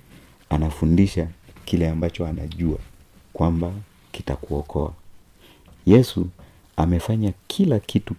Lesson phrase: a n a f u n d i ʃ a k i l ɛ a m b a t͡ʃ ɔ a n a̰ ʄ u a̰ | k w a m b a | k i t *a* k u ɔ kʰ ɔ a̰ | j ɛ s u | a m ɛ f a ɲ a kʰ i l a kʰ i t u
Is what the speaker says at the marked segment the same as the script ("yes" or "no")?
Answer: yes